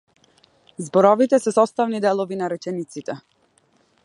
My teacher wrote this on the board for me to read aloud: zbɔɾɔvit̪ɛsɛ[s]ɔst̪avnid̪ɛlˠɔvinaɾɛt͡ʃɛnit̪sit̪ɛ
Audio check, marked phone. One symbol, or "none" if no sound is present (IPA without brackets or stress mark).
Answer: s